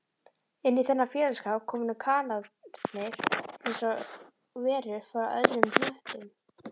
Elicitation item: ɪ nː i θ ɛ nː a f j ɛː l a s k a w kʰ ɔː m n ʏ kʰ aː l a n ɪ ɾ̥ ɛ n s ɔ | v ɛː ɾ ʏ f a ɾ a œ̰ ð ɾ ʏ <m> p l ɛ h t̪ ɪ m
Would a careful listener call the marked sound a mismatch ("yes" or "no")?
no